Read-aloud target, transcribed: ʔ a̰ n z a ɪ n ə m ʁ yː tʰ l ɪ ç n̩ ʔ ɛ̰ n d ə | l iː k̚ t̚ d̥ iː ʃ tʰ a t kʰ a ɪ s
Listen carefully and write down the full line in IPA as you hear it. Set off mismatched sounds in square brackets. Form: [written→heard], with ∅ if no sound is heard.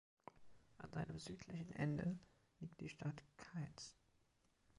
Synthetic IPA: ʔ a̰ n z a ɪ n ə m [ʁ→z] yː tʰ l ɪ ç n̩ ʔ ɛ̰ n d ə | l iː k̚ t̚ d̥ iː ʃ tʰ a t kʰ a ɪ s